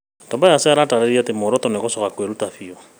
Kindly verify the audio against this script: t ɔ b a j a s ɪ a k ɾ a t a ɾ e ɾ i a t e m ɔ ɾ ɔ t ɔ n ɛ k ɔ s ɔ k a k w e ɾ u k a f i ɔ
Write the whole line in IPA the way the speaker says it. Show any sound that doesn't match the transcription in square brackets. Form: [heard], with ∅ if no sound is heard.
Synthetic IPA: t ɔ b a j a s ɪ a [∅] ɾ a t a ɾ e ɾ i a t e m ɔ ɾ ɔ t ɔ n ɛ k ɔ s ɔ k a k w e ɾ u [t] a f i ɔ